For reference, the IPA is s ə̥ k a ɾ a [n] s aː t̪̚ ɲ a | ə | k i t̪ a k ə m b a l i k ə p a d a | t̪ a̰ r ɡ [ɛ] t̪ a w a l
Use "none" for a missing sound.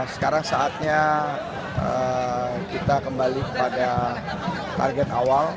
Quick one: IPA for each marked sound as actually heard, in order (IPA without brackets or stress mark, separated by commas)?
ŋ, ɛ